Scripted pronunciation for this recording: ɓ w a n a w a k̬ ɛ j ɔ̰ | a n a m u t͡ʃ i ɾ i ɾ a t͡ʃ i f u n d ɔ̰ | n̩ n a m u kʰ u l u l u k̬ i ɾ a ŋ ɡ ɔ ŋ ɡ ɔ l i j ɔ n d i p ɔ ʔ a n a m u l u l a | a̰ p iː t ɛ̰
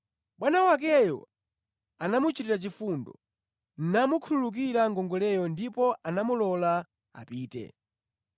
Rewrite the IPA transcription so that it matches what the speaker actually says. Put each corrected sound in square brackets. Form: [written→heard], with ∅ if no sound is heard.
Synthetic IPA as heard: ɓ w a n a w a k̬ ɛ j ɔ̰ | a n a m u t͡ʃ i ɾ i ɾ a t͡ʃ i f u n d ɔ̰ | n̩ n a m u kʰ u l u l u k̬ i ɾ a ŋ ɡ ɔ ŋ ɡ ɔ l [i→ɛ] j ɔ n d i p ɔ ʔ a n a m u l [u→ɔ] l a | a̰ p iː t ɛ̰